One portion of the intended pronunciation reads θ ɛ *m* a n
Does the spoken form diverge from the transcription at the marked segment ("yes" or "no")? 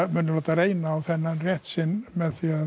yes